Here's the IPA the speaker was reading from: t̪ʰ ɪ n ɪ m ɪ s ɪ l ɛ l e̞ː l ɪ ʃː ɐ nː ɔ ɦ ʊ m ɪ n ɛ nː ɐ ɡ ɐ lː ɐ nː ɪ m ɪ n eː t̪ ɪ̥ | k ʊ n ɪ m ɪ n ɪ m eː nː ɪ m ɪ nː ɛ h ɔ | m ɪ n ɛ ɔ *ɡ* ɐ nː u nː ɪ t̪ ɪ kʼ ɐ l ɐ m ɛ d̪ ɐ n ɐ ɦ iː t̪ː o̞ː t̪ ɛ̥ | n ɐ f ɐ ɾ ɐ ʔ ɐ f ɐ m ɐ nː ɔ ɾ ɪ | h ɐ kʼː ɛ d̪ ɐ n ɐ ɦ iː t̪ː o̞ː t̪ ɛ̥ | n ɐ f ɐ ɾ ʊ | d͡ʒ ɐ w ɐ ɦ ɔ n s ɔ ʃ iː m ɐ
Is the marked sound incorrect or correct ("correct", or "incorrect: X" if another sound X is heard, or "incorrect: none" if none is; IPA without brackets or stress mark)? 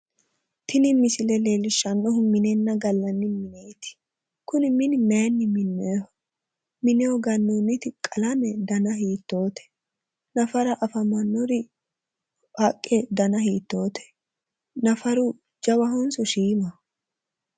correct